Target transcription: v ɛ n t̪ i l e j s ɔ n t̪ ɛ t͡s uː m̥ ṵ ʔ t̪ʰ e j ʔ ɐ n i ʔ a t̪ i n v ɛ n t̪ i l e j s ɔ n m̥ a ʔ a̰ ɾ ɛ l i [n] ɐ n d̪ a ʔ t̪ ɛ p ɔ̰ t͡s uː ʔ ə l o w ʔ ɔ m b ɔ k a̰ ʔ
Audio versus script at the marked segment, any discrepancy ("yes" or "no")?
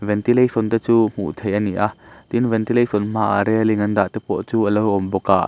yes